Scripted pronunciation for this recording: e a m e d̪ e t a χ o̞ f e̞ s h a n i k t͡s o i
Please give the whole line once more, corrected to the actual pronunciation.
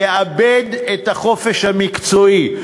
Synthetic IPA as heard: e a b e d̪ e t a χ o̞ f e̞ ʃ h a m i k t͡s o i

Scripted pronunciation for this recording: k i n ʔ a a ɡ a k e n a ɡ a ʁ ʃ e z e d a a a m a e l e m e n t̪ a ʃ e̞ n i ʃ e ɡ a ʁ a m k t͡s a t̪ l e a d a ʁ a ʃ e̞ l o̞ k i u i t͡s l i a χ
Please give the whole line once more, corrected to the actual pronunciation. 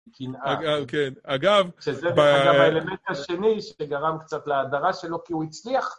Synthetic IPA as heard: k i n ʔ a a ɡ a k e n a ɡ a v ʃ e z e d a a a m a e l e m e n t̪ a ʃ e̞ n i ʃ e ɡ a ʁ a m k t͡s a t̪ l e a d a ʁ a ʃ e̞ l o̞ k i u i t͡s l i a χ

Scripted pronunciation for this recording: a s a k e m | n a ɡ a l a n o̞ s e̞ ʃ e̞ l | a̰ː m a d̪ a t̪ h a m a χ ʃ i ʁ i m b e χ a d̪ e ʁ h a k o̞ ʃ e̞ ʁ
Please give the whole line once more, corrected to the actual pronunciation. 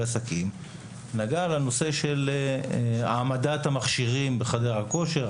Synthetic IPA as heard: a s a k i m | n a ɡ a l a n o̞ s e̞ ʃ e̞ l | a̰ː m a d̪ a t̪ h a m a χ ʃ i ʁ i m b e χ a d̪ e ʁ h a k o̞ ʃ e̞ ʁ

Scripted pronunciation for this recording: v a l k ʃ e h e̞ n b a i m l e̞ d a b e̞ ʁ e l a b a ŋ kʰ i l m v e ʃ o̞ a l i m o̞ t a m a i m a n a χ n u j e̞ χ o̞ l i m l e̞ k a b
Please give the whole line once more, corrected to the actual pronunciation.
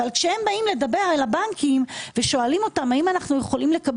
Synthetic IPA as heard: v a l k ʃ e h e̞ m b a i m l e̞ d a b e̞ ʁ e l a b a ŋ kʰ i m v e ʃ o̞ a l i m o̞ t a m a i m a n a χ n u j e̞ χ o̞ l i m l e̞ k a b

